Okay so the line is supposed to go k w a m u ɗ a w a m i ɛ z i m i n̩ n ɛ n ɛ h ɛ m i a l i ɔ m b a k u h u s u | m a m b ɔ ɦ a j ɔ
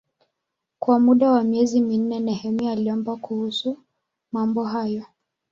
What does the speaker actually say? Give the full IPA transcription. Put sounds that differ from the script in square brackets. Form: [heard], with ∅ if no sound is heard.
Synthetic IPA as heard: k w a m u ɗ a w a m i ɛ z i m i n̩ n ɛ n ɛ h ɛ m i a l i ɔ m b a k u h u s u | m a m b ɔ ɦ a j ɔ